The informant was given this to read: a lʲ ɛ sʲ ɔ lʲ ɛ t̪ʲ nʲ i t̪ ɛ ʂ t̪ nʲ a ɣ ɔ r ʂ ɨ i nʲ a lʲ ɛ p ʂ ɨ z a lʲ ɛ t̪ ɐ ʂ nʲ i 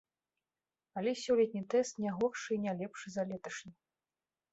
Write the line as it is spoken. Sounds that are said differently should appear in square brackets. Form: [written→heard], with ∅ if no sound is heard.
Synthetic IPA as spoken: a lʲ ɛ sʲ ɔ lʲ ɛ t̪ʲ nʲ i t̪ ɛ [ʂ→s] t̪ nʲ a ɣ ɔ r ʂ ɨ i nʲ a lʲ ɛ p ʂ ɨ z a lʲ ɛ t̪ ɐ ʂ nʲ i